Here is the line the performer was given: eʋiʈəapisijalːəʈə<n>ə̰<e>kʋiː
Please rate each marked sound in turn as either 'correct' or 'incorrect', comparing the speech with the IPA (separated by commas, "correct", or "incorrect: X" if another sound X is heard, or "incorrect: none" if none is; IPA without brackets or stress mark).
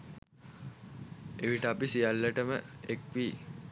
incorrect: m, correct